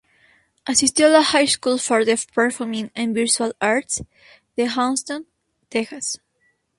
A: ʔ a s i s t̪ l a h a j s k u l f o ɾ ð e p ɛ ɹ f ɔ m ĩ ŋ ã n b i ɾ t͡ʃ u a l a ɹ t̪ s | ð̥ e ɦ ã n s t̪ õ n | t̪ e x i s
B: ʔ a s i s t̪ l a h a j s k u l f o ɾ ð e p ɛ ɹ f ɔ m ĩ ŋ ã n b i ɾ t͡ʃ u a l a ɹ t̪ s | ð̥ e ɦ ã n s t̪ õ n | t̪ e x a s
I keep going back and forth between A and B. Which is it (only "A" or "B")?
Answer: B